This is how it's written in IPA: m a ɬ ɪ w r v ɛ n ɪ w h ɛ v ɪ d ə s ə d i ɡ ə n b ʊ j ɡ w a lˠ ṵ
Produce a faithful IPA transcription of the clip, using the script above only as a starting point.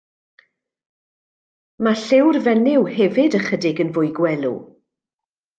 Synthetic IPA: m a ɬ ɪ w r v ɛ n ɪ w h ɛ v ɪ d ə χ ə d ɪ ɡ ə n v ʊ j ɡ w ɛ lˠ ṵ